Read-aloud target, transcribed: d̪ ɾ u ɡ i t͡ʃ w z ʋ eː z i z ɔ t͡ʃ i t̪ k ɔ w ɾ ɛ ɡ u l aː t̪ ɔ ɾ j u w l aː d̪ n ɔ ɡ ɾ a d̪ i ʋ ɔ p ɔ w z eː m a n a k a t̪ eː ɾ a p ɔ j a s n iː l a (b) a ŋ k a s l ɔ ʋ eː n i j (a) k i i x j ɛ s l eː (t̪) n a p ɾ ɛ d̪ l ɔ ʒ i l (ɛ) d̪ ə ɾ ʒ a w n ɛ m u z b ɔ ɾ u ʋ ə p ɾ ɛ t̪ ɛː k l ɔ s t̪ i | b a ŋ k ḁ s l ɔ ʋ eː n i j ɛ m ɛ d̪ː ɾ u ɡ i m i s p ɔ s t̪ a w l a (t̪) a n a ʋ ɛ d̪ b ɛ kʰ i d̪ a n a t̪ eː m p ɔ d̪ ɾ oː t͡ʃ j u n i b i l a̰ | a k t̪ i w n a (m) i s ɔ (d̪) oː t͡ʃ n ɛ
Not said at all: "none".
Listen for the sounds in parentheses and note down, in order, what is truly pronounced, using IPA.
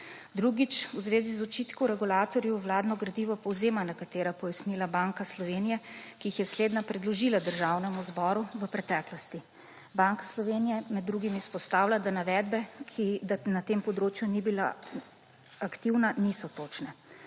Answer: b, ɛ, d̪, a, d̪, n, t̪

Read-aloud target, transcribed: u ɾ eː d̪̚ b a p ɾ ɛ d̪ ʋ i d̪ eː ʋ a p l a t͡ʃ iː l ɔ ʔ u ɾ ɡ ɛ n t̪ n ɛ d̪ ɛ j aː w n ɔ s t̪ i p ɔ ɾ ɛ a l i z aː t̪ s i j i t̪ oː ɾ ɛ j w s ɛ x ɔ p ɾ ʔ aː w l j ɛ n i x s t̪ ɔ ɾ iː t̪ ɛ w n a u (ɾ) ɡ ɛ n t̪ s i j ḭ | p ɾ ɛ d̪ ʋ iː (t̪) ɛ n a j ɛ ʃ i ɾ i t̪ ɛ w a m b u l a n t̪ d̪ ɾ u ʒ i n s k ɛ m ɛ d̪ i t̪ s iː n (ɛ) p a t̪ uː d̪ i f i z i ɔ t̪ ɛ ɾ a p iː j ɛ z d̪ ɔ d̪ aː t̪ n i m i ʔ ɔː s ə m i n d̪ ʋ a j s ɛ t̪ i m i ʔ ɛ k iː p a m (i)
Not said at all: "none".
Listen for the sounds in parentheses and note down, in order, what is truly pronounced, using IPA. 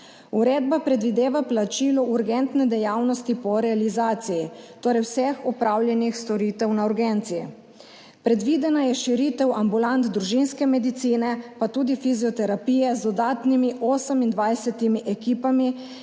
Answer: ɾ, d̪, ɛ, i

